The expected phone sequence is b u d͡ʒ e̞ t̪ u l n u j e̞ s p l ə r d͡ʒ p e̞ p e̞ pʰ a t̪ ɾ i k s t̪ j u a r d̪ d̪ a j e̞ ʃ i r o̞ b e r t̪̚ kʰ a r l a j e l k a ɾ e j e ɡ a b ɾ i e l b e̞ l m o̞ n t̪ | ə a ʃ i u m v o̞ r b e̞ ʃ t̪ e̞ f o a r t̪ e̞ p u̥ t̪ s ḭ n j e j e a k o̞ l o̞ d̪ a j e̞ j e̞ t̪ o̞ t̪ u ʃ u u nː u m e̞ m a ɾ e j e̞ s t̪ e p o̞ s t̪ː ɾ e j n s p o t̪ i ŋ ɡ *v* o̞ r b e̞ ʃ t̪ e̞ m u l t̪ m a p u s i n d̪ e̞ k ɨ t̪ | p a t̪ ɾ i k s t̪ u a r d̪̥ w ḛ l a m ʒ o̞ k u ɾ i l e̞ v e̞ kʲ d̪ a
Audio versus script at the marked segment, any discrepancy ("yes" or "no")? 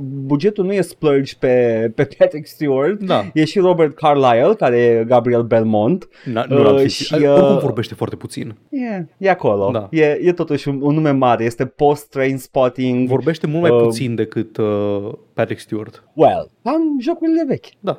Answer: no